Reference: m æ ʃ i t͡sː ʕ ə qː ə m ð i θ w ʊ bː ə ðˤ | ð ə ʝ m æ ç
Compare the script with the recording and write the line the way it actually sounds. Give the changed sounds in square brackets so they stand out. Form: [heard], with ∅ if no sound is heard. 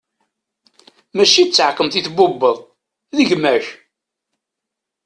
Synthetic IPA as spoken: m æ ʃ i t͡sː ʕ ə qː ə m [θ] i θ [b] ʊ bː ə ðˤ | ð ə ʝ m æ ç